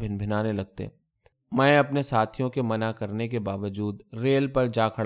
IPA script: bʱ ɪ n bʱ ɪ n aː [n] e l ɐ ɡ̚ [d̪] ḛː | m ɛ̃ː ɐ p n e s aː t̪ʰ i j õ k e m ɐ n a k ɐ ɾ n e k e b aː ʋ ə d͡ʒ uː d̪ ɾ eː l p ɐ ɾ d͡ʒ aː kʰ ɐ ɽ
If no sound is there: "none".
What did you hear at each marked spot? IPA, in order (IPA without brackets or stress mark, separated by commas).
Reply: n, t̪